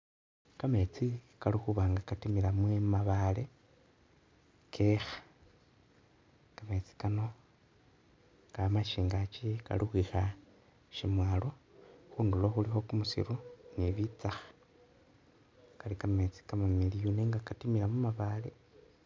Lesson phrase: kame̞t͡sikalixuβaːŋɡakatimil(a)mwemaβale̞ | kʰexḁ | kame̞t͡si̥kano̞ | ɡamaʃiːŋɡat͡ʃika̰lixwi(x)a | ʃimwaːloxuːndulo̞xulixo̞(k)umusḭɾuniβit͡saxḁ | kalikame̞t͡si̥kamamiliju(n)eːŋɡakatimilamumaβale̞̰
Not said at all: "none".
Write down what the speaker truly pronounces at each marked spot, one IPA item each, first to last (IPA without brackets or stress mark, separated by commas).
a, x, k, n